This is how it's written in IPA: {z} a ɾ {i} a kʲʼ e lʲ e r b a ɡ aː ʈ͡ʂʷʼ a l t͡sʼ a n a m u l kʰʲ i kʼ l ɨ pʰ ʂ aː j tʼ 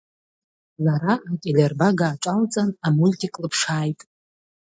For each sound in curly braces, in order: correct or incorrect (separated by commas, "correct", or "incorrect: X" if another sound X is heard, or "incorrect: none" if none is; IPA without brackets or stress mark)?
correct, incorrect: a